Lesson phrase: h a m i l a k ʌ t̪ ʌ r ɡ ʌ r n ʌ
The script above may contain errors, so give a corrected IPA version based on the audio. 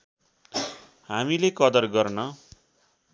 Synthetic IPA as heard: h a m i l e k ʌ d̪ ʌ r ɡ ʌ r n ʌ